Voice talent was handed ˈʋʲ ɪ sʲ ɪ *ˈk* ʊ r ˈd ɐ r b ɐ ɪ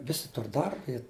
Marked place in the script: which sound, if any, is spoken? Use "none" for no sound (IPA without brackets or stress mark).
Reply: t